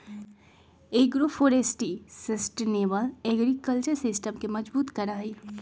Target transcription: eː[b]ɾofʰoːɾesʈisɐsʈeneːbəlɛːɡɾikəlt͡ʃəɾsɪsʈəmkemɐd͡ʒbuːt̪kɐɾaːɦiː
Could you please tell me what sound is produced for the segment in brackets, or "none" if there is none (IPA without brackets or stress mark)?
ɡ